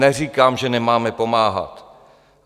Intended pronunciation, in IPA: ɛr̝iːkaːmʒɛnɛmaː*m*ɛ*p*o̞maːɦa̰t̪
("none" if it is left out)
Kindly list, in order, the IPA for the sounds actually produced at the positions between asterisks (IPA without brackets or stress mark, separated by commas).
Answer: m, p